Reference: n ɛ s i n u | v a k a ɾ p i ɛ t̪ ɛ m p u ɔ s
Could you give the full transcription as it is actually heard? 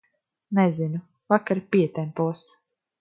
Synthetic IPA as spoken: n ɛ z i n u | v a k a ɾ p i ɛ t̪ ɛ m p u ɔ s